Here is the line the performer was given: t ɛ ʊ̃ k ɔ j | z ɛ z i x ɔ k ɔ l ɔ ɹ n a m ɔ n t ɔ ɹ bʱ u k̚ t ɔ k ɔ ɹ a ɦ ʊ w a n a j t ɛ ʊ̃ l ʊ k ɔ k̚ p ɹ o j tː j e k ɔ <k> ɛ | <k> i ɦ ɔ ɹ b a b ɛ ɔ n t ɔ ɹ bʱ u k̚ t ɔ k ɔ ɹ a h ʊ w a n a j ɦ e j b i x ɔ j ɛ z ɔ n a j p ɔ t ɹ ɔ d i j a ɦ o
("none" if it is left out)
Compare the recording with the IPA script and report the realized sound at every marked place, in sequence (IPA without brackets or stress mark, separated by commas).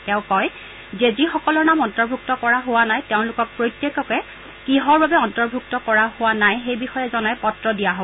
k, k